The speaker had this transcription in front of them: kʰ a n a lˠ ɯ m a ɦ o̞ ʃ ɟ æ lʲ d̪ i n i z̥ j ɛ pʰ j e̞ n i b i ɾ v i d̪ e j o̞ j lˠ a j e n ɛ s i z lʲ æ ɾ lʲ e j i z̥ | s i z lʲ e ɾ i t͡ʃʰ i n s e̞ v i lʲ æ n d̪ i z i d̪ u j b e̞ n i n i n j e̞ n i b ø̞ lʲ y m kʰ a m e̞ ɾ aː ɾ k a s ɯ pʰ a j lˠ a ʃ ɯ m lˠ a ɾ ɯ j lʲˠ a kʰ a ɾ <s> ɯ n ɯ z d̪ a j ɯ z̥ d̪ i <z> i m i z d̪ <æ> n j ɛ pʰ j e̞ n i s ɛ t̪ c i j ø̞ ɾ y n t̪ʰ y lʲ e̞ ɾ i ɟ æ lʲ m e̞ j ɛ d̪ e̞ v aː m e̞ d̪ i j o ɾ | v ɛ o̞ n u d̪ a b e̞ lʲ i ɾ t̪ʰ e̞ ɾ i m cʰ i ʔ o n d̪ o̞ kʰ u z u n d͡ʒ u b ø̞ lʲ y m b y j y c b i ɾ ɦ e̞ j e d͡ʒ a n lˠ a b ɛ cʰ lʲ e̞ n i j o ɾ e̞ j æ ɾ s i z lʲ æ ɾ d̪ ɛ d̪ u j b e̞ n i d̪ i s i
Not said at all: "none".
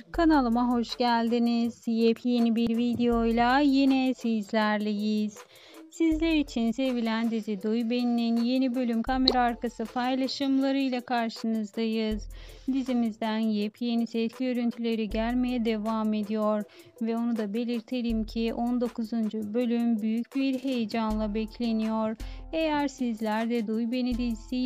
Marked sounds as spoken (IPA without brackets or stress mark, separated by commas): ʃ, z, æ